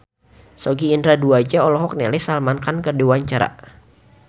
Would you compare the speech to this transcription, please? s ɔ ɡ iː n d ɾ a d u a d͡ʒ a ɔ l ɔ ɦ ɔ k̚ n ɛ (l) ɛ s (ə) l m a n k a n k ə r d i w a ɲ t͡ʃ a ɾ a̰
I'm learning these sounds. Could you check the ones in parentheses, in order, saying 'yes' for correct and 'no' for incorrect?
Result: yes, no

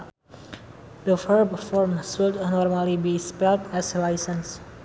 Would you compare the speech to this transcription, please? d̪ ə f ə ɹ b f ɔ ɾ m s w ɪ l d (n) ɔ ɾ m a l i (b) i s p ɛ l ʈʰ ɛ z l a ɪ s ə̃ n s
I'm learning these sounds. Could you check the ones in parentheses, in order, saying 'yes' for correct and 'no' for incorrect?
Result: yes, yes

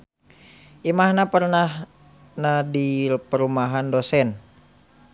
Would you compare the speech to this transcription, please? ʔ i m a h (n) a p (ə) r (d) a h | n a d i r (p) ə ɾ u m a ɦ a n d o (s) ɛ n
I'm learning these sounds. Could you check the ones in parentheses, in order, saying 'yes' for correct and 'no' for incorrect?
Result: yes, yes, no, yes, yes

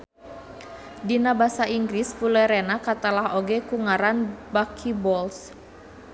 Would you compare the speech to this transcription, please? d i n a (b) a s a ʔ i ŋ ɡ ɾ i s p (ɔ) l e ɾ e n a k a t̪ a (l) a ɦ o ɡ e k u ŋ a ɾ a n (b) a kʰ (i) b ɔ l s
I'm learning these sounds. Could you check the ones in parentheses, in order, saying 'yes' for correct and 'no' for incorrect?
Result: yes, no, yes, yes, yes

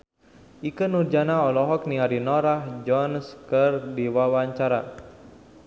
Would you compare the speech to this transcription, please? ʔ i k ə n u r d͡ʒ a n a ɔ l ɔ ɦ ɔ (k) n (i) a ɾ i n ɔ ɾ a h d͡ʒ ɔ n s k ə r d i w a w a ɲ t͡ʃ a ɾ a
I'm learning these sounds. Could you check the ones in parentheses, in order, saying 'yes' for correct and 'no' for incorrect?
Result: yes, yes

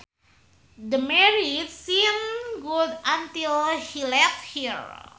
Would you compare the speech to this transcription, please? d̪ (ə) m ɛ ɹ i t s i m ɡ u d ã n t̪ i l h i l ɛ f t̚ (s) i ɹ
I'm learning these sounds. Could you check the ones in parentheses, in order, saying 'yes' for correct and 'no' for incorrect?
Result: yes, no

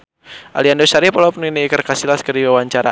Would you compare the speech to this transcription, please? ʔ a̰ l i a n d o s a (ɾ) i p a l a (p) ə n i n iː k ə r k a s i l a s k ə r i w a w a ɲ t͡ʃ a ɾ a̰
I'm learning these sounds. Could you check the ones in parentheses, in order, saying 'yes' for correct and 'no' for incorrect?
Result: yes, yes

